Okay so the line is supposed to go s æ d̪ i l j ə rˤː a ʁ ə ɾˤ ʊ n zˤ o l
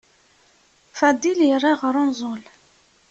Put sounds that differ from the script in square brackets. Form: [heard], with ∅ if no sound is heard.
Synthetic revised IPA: [f] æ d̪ i l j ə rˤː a ʁ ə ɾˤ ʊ n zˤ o l